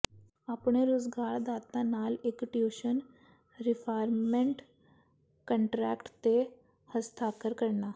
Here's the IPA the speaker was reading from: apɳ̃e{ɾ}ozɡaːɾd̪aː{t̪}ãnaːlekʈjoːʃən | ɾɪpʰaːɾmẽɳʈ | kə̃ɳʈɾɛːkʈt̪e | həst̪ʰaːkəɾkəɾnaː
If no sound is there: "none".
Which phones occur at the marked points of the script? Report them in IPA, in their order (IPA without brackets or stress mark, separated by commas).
ɾ, t̪